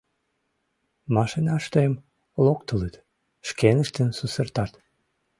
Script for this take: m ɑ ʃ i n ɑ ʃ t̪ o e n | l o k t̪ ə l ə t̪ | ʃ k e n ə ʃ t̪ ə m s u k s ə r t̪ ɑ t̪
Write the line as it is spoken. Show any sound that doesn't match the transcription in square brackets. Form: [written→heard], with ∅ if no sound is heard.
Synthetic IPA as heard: m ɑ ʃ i n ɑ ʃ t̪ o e [n→m] | l o k t̪ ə l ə t̪ | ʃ k e n ə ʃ t̪ ə [m→n] s u [k→∅] s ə r t̪ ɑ t̪